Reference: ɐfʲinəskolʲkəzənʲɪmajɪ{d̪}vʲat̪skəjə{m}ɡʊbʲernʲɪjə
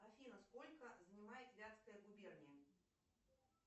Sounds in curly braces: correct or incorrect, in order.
incorrect, incorrect

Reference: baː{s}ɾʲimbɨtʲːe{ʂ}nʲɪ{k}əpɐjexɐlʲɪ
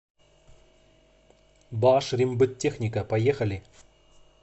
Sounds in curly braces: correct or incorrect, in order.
incorrect, incorrect, correct

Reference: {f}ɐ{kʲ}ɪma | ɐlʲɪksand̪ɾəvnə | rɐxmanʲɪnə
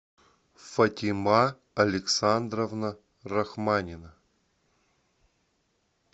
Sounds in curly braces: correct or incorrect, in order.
correct, incorrect

